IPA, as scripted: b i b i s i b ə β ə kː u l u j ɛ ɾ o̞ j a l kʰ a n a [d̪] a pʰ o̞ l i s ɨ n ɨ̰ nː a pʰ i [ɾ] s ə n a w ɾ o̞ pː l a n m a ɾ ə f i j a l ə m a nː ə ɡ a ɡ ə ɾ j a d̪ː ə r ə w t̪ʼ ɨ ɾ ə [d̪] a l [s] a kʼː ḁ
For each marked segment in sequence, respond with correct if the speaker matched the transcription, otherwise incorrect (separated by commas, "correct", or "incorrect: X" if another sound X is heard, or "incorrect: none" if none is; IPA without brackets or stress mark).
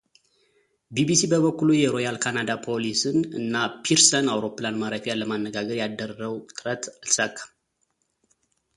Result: correct, correct, incorrect: t̪, correct